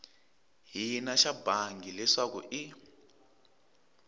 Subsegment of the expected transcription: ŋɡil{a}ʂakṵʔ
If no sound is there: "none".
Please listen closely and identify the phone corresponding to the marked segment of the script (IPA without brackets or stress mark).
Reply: ɛ